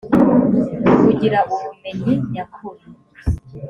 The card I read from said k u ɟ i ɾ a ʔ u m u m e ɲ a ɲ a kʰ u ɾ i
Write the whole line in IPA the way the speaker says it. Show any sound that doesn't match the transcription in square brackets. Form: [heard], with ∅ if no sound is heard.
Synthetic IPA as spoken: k u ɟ i ɾ a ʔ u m u m e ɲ [i] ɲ a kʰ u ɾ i